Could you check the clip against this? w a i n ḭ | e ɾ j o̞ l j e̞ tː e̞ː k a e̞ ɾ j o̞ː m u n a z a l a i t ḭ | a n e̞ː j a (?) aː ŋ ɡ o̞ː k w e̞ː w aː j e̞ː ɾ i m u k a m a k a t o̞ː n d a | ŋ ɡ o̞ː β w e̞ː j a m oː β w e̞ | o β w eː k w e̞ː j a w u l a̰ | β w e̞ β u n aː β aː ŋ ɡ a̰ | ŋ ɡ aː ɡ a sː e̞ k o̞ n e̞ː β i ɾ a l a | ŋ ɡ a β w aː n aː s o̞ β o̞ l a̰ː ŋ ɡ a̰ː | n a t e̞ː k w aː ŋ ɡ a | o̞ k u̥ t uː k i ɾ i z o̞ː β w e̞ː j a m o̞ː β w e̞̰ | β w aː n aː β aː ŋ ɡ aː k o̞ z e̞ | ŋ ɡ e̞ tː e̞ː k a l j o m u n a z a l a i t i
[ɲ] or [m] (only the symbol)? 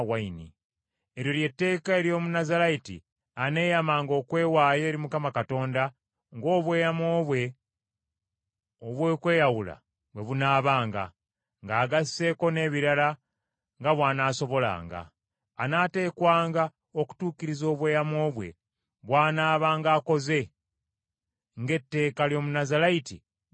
m